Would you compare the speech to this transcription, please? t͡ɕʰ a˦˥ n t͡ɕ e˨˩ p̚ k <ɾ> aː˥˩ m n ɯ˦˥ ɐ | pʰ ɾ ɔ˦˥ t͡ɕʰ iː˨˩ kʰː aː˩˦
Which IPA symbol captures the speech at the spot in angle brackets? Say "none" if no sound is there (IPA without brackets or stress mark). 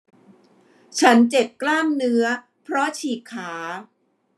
l